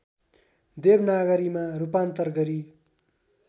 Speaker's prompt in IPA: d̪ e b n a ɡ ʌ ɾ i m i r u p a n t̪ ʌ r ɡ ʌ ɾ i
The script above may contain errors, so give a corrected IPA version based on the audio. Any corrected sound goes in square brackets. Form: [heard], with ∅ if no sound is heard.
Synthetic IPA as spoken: d̪ e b n a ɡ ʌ ɾ i m [a] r u p a n t̪ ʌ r ɡ ʌ ɾ i